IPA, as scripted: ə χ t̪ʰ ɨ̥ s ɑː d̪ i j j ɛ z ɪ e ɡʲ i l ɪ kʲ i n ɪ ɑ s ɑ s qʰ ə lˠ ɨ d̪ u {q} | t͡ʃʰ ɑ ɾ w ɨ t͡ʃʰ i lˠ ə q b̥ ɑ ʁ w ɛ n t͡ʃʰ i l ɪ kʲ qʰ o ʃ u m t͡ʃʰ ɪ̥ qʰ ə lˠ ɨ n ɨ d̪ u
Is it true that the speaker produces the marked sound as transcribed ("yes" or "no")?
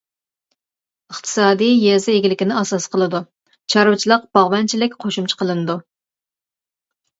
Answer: no